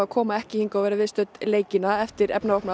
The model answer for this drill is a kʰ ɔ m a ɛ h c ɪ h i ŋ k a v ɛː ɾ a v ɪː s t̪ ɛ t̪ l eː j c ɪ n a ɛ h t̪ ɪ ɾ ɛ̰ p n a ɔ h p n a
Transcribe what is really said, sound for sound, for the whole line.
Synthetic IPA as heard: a kʰ ɔː m a ɛ h c ɪ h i ŋ k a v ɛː ɾ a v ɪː s t̪ œ t̪ l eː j c ɪ n a ɛ f t̪ ɪ ɾ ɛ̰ p n a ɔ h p n a